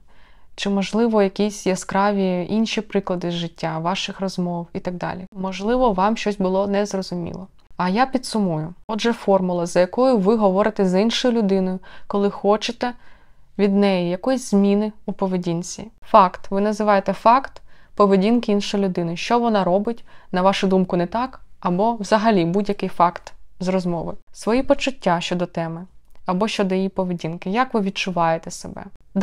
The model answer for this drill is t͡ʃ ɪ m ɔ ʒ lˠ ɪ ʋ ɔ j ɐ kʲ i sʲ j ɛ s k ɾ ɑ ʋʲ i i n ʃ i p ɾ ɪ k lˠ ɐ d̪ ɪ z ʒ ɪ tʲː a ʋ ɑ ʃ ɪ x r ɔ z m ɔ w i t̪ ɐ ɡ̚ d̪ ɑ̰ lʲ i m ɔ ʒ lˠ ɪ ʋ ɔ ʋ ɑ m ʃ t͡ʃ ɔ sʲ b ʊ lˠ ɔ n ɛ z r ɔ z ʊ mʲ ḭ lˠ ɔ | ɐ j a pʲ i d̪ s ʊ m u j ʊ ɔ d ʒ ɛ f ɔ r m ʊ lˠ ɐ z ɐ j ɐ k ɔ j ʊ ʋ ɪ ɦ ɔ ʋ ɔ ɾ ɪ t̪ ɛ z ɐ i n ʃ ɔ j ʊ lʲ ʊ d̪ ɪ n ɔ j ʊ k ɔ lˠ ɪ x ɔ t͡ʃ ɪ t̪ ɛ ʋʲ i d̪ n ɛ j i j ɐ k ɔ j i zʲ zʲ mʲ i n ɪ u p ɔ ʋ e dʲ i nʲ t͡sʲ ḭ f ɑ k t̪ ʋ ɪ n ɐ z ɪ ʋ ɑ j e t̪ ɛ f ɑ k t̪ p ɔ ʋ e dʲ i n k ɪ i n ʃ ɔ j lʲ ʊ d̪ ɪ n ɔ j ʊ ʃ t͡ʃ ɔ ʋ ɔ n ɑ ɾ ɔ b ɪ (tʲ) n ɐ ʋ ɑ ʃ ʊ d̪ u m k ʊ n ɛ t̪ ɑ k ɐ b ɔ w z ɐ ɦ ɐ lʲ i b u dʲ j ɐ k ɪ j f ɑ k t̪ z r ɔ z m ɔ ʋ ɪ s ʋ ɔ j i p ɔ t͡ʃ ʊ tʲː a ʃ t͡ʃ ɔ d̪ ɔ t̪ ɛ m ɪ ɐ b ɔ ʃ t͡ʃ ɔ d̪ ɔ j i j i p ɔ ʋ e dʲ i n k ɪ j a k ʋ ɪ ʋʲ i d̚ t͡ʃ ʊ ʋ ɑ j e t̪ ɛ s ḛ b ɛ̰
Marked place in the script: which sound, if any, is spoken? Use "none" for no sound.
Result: tʲ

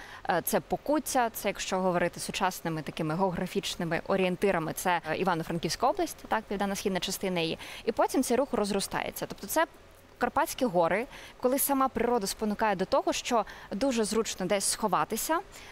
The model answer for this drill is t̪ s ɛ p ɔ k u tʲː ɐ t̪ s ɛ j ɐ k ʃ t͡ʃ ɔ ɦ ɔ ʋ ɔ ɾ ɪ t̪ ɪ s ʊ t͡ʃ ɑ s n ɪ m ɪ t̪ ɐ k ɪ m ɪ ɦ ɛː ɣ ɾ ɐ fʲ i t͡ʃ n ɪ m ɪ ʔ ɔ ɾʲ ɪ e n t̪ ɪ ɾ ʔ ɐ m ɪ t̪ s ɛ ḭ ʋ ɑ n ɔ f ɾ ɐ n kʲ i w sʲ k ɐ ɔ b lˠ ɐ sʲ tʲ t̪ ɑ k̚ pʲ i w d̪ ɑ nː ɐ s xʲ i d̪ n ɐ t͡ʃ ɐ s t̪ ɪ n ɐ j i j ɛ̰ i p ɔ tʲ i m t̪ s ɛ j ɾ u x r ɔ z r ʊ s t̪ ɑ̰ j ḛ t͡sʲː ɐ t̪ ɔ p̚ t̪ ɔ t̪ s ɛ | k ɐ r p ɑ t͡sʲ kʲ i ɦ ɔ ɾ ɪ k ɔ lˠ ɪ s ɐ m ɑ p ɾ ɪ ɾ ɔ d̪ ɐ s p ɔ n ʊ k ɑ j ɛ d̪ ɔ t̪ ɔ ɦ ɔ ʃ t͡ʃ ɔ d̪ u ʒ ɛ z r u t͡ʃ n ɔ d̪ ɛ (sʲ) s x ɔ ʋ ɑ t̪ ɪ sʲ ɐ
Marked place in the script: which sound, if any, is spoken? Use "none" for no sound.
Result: sʲ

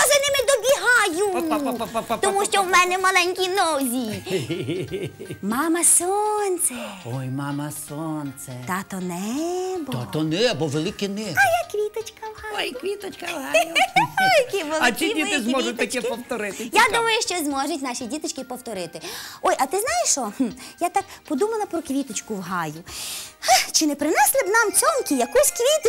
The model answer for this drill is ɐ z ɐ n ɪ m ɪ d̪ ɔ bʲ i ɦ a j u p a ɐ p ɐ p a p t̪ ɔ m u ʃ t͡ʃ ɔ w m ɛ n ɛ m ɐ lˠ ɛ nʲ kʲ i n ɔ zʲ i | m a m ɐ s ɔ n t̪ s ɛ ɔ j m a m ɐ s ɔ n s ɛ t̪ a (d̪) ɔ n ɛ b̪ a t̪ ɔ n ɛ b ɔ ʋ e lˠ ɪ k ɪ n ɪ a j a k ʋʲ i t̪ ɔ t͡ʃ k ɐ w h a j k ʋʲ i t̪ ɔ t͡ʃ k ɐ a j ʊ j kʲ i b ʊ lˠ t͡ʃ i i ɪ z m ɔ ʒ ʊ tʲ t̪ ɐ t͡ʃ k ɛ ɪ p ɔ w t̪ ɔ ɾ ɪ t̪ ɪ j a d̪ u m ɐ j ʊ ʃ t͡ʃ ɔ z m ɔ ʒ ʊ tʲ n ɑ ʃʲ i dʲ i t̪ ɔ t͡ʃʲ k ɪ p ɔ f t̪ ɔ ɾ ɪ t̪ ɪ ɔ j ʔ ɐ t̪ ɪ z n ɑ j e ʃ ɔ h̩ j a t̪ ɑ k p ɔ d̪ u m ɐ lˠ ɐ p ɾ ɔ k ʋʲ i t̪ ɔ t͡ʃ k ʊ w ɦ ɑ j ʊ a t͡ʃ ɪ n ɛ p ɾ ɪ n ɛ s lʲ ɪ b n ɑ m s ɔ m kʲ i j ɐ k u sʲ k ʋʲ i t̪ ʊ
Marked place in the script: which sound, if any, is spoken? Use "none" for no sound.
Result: t̪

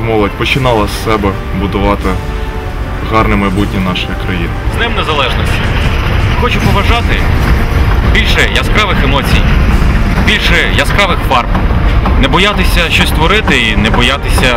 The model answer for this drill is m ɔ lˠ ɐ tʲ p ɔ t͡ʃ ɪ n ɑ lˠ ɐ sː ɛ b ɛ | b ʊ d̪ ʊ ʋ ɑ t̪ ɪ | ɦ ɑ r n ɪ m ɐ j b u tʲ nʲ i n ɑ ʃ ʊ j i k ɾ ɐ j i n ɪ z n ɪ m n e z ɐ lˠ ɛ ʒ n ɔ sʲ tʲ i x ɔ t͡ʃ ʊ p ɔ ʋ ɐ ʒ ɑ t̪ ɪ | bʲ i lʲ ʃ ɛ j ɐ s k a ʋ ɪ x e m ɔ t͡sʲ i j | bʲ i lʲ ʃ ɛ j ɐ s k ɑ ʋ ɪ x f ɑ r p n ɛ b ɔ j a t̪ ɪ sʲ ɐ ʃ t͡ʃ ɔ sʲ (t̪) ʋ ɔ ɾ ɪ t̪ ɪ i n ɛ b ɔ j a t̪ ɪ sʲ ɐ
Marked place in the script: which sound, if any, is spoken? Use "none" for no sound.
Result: t̪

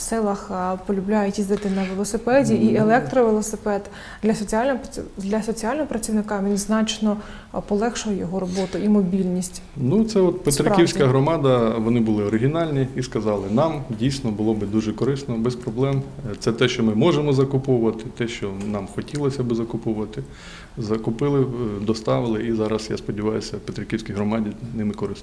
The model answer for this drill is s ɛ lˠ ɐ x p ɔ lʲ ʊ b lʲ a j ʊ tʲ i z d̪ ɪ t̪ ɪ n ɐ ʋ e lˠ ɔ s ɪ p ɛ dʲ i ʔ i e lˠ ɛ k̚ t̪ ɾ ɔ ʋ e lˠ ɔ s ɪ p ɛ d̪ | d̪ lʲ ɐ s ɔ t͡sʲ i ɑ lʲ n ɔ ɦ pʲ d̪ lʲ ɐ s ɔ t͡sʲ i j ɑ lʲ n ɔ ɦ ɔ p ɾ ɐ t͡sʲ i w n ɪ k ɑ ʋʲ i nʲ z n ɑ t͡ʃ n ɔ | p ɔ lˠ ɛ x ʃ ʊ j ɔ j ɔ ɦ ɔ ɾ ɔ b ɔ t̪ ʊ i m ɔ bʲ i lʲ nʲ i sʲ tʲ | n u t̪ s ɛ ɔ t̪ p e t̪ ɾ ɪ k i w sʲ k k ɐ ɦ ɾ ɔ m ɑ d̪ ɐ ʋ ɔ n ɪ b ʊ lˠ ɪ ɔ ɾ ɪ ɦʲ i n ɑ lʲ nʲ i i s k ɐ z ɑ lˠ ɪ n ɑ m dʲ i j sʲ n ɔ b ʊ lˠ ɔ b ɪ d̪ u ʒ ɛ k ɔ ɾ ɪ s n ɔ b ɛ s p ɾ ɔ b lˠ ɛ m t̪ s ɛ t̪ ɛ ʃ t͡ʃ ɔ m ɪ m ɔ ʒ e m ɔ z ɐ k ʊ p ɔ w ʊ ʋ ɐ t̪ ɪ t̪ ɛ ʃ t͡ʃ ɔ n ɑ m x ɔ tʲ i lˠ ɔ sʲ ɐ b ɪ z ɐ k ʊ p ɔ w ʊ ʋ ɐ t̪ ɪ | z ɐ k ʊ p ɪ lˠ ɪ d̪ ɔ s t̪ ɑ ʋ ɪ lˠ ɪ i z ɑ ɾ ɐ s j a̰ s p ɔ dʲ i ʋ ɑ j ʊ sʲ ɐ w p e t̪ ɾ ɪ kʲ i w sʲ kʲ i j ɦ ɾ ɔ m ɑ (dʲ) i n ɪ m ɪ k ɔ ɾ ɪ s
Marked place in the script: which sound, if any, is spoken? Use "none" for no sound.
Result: dʲ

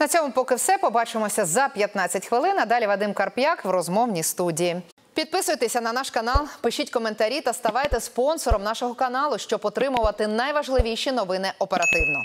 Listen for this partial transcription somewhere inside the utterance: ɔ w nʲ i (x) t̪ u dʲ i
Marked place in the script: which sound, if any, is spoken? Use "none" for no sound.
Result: s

